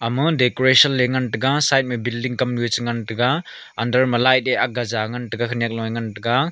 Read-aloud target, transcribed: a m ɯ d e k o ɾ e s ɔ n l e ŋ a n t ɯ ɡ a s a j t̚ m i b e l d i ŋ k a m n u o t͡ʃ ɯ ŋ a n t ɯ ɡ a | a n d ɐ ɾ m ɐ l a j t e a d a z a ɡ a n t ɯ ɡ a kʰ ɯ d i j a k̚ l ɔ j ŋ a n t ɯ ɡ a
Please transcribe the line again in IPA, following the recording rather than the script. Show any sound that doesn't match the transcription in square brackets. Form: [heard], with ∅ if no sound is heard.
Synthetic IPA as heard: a m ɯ d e k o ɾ e s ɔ n l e ŋ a n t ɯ ɡ a s a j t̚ m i b [i] l d i ŋ k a m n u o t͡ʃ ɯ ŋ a n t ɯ ɡ a | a n d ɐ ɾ m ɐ l a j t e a [ɡ] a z a [ŋ] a n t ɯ ɡ a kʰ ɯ [n] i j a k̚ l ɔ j ŋ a n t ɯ ɡ a